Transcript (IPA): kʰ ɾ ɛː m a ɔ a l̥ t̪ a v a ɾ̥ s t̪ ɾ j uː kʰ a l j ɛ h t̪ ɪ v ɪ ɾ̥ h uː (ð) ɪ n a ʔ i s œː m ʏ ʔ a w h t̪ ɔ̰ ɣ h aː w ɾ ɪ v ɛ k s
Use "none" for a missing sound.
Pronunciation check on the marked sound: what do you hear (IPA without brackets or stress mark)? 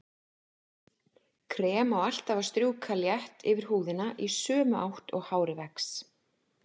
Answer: ð